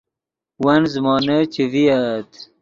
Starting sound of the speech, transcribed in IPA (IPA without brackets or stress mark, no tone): w